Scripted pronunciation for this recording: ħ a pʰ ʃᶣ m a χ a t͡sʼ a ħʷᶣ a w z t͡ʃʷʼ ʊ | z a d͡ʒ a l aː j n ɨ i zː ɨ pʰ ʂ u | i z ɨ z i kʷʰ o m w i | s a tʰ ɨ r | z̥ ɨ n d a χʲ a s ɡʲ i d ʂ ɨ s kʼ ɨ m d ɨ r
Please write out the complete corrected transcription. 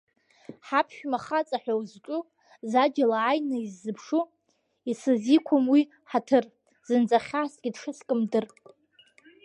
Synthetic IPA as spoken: ħ a pʰ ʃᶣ m a χ a t͡sʼ a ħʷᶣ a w z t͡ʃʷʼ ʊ | z a d͡ʒ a l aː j n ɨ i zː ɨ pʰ ʂ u | i s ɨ z i kʷʰ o m w i | ħ a tʰ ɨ r | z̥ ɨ n d͡z a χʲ a s ɡʲ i d ʂ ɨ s kʼ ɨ m d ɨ r